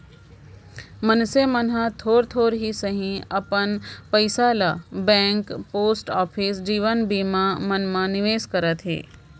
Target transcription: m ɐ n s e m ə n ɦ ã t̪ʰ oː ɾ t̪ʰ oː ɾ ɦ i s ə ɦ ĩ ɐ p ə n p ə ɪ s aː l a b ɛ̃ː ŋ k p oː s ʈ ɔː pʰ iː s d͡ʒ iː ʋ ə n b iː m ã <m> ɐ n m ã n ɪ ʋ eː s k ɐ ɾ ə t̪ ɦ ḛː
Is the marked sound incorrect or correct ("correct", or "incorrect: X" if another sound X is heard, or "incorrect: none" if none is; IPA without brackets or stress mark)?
correct